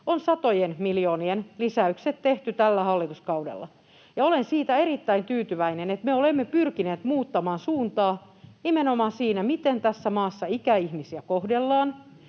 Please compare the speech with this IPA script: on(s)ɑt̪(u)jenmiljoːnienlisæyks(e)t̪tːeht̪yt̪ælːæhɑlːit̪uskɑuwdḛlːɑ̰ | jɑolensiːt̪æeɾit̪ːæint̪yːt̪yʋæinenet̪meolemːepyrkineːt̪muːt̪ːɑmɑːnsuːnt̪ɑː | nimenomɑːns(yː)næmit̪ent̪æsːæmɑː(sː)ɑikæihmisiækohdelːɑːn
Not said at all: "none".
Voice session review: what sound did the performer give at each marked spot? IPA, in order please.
s, o, e, iː, sː

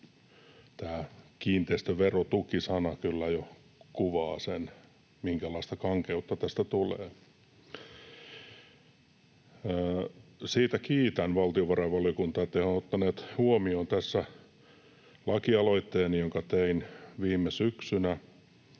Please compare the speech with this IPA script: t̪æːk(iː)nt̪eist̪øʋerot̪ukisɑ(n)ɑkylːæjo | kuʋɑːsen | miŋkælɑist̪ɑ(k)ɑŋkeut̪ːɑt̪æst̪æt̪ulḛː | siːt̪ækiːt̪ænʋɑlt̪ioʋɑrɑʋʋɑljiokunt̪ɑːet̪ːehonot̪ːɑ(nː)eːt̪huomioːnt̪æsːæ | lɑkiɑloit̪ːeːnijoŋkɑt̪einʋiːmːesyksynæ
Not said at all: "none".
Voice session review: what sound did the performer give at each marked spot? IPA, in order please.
iː, n, k, n

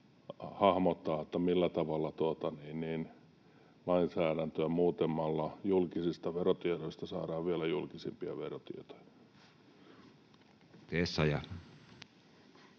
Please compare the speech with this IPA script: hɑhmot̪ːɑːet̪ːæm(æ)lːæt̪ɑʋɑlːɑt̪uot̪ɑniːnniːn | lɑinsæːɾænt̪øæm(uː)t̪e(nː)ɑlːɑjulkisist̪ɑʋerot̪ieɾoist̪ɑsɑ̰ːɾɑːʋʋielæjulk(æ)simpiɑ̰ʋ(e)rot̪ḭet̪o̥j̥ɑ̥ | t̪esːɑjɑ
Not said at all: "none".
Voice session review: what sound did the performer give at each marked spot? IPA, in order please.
i, uː, mː, i, e

